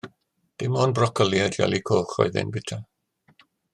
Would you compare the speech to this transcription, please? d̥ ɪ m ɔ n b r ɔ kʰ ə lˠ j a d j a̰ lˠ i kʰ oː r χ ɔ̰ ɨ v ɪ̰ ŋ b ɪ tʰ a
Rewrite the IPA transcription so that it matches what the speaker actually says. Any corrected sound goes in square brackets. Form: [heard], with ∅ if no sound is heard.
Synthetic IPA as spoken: d̥ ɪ m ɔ n b r ɔ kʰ ə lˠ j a d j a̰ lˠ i kʰ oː [∅] χ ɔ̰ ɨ [ð] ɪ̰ [n] b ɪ tʰ a